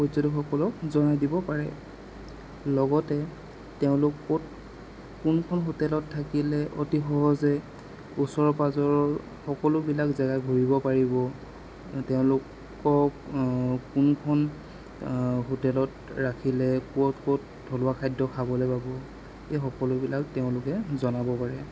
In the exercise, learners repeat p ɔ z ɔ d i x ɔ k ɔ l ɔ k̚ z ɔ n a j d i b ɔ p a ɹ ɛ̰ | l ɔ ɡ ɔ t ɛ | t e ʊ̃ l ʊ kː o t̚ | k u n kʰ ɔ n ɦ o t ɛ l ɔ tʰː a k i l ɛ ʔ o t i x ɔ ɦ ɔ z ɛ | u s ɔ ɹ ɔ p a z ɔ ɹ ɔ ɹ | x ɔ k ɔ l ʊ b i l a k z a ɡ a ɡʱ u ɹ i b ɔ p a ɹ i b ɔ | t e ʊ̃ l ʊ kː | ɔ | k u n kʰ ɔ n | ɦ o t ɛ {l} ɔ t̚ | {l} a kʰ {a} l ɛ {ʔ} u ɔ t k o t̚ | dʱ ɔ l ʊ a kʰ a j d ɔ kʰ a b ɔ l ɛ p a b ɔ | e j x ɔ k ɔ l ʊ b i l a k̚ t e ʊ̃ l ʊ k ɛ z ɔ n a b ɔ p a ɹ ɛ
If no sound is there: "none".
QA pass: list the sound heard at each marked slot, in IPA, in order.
l, ɹ, i, k

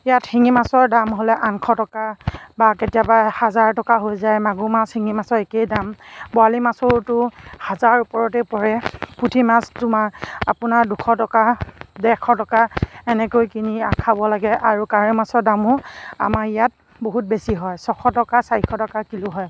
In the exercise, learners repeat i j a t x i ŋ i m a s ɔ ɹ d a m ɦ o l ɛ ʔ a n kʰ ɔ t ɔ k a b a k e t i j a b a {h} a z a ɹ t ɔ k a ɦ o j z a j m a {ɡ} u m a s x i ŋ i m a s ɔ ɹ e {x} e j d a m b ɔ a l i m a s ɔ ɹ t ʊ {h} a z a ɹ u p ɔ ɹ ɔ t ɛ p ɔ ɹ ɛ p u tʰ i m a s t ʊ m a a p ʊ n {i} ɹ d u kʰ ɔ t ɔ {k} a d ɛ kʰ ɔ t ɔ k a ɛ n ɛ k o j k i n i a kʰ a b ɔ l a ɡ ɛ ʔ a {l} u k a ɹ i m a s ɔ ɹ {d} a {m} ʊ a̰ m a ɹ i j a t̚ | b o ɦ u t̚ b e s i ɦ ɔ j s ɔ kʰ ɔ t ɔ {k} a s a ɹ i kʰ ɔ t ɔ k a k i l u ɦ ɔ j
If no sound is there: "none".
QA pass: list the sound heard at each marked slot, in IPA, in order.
h, ɡ, k, h, a, k, ɹ, d, m, k

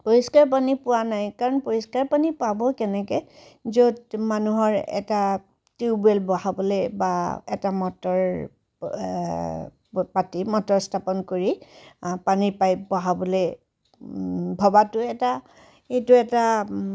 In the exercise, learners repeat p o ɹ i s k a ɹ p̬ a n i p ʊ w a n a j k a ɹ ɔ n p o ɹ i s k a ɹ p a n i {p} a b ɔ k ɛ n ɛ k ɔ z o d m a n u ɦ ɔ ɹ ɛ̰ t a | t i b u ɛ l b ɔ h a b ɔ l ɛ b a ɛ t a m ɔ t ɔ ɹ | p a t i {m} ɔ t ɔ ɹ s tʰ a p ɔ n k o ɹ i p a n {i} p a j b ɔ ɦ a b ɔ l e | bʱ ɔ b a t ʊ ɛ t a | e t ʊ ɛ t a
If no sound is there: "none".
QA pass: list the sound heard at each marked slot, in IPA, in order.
p, m, i

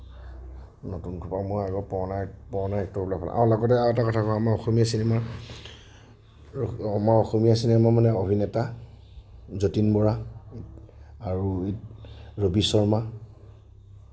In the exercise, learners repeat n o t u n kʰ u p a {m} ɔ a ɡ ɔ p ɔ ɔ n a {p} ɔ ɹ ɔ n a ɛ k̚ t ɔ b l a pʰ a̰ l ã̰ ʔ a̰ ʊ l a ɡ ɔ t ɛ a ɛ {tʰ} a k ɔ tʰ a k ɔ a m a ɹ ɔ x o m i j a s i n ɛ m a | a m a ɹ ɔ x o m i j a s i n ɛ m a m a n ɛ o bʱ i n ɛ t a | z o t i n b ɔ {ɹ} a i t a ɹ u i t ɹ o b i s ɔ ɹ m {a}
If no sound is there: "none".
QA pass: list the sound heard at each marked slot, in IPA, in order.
m, p, t, ɹ, a

